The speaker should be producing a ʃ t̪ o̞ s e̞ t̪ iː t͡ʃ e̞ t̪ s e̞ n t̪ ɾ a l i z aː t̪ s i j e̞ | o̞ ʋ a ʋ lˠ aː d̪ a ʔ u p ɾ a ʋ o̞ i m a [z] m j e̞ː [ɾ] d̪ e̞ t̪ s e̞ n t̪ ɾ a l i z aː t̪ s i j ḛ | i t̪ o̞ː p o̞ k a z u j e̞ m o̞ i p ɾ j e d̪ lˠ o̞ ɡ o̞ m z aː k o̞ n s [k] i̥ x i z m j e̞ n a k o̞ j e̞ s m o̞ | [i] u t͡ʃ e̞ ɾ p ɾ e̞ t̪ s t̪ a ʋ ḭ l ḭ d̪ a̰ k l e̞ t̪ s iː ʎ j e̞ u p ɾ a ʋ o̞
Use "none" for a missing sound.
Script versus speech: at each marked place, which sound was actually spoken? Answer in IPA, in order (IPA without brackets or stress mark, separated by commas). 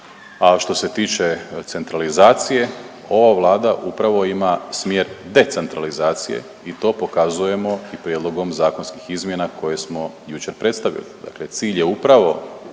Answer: s, ɾ, k, j